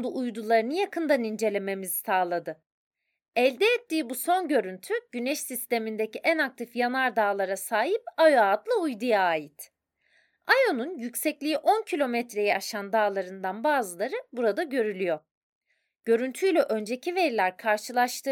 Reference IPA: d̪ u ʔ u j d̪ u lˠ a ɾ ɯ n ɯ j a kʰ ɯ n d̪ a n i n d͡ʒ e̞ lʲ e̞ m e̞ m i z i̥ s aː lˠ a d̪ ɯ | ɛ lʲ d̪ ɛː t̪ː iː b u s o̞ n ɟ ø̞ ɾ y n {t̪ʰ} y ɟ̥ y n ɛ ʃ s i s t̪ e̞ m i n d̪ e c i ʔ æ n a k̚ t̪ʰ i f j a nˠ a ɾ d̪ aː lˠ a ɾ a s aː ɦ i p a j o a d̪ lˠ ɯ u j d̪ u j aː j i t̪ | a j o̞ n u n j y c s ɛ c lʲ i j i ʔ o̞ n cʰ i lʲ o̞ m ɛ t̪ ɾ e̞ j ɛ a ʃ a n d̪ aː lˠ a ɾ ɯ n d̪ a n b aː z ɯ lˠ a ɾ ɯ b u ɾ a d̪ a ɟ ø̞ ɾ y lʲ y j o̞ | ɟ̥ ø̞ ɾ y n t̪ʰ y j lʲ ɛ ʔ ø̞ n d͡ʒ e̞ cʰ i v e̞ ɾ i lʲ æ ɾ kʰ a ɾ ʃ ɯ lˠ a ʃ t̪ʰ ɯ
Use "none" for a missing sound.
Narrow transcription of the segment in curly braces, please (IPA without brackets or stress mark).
t̪ʰ